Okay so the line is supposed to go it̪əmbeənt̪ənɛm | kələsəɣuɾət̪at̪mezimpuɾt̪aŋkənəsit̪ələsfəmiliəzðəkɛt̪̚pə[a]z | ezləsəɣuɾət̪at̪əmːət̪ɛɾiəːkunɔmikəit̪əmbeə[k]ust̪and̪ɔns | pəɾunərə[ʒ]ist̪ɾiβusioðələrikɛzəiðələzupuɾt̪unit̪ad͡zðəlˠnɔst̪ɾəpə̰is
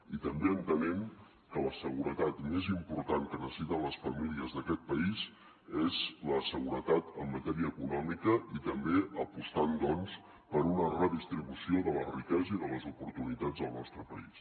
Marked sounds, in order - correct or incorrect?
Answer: incorrect: i, incorrect: p, incorrect: ð

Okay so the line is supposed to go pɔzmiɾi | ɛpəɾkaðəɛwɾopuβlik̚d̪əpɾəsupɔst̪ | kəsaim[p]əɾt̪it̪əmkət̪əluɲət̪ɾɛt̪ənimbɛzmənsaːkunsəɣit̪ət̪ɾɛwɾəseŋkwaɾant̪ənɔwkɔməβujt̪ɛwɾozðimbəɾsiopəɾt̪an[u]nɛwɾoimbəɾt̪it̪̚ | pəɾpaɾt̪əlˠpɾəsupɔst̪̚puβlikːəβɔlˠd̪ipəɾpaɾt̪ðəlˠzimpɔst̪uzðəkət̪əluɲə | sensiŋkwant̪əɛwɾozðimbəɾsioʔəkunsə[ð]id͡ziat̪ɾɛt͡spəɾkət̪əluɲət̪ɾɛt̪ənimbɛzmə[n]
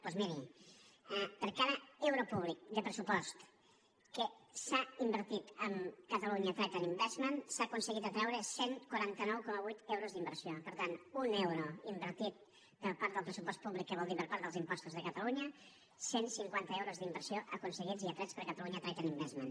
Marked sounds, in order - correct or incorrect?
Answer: incorrect: b, correct, incorrect: ɣ, correct

